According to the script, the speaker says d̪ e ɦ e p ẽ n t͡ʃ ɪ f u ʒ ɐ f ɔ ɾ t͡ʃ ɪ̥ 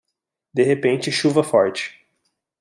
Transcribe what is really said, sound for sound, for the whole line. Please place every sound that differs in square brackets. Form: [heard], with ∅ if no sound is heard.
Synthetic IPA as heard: d̪ e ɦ e p ẽ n t͡ʃ ɪ [ʃ] u [v] ɐ f ɔ ɾ t͡ʃ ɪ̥